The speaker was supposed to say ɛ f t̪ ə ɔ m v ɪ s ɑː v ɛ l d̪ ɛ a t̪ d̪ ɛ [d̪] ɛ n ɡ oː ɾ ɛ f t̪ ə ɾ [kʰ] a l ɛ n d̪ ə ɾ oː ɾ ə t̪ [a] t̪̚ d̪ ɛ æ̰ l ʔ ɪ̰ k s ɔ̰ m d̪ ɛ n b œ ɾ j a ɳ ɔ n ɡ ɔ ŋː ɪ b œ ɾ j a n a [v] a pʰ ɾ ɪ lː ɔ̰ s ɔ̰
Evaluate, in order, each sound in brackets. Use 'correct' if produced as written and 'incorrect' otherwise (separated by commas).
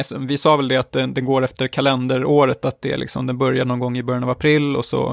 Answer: correct, correct, correct, correct